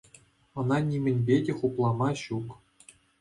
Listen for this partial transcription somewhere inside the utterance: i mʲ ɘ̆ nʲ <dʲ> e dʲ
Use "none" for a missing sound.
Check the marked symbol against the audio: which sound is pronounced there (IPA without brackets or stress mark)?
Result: bʲ